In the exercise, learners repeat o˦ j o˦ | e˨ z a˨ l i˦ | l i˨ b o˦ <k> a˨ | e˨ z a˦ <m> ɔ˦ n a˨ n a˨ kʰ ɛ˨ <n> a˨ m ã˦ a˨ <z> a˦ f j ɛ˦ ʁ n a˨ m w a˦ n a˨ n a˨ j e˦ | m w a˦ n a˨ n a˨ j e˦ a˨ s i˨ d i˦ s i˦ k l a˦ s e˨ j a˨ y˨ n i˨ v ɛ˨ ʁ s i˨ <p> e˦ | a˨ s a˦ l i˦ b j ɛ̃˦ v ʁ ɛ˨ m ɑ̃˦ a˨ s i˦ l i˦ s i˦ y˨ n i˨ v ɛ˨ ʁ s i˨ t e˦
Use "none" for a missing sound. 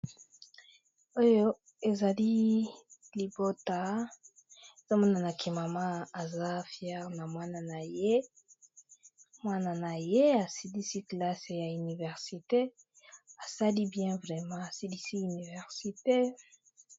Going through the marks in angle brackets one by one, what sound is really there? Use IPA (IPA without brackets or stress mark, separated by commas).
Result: t, m, m, z, t